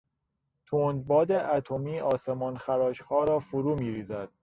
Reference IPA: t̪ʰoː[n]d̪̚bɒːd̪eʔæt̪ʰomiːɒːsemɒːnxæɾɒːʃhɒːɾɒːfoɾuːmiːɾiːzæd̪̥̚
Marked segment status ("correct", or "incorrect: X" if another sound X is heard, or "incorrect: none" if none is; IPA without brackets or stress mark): correct